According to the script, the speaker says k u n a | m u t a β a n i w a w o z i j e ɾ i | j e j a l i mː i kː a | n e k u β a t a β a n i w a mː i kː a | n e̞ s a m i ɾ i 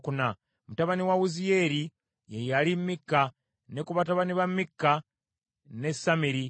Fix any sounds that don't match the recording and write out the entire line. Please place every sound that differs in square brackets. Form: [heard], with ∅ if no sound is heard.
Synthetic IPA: k u n a | m u t a β a n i w a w [u] z i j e ɾ i | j e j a l i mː i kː a | n e k u β a t a β a n i [β] a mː i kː a | n e̞ s a m i ɾ i